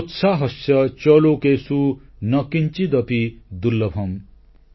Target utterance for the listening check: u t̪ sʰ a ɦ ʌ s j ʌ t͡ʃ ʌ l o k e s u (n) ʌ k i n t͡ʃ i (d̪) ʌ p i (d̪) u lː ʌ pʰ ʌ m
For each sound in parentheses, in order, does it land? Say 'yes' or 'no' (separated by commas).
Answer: yes, yes, yes